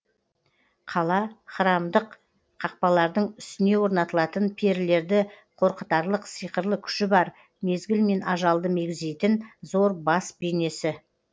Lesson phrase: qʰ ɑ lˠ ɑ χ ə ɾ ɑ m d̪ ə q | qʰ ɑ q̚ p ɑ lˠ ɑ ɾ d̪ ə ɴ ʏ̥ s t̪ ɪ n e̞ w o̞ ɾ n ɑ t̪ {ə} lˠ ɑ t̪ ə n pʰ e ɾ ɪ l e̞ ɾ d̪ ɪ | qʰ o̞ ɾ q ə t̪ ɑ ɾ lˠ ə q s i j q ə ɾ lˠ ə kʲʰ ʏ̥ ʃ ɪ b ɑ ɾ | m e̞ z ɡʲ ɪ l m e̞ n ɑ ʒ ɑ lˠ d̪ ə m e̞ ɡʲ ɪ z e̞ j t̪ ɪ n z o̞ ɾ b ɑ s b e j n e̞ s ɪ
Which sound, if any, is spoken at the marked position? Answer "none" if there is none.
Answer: ə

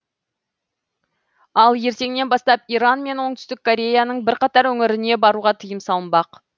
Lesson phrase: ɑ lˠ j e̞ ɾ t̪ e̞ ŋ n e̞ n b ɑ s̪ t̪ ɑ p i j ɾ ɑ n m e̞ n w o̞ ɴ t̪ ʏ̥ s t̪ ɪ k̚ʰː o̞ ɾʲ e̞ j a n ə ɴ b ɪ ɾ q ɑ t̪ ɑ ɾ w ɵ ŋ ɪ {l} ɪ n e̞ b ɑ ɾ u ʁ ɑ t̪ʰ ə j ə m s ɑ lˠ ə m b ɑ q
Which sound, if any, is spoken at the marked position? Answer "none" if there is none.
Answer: ɾ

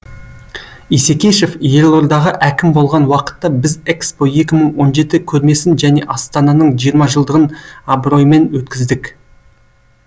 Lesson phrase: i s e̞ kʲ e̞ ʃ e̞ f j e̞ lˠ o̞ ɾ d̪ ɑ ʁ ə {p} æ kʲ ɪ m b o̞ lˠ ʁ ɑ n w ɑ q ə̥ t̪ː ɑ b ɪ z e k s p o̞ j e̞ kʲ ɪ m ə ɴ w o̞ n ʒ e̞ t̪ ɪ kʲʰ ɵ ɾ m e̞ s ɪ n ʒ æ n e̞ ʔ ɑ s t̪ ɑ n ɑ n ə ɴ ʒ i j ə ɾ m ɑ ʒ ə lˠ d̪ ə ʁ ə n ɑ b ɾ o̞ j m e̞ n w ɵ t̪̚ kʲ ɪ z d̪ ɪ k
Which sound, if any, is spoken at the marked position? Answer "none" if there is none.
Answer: ʔ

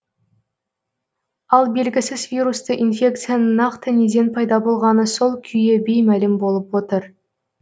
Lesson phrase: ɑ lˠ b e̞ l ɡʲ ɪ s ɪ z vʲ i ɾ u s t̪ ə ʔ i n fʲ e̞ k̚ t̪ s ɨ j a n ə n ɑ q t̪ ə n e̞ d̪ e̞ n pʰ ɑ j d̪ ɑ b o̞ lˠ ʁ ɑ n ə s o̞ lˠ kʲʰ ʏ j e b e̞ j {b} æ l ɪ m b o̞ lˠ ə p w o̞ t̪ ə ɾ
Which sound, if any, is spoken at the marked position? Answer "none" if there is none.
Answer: m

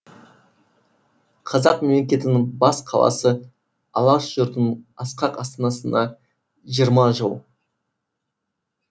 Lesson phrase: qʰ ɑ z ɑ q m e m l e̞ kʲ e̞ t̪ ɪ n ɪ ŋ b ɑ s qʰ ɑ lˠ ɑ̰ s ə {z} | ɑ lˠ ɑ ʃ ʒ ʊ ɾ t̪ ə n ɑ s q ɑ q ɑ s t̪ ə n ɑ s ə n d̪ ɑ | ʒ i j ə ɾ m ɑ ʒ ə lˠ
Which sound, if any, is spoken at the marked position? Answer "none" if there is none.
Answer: none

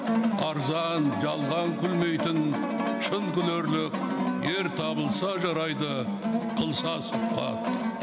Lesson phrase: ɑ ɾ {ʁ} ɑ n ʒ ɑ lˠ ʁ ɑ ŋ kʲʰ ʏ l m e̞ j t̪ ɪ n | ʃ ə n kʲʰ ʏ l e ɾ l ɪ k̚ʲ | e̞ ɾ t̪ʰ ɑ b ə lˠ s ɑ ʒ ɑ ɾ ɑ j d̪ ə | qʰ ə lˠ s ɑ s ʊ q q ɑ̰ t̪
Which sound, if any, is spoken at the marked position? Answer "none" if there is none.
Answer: z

